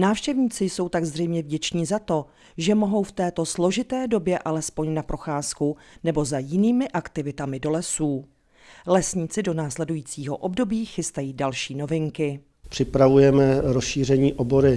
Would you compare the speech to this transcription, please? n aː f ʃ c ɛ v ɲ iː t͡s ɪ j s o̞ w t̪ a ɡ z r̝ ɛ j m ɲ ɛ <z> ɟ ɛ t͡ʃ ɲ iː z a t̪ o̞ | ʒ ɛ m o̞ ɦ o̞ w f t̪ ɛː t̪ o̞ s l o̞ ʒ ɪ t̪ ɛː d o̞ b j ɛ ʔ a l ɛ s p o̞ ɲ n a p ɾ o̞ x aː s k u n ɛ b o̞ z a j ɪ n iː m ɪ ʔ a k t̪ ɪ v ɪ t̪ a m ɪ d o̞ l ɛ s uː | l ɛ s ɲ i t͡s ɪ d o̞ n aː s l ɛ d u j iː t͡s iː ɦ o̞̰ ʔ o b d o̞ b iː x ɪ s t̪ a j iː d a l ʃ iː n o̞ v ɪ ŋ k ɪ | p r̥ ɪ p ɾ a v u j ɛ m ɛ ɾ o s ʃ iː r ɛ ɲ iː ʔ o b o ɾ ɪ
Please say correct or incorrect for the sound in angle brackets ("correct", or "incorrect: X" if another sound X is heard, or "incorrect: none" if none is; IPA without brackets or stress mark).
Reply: incorrect: v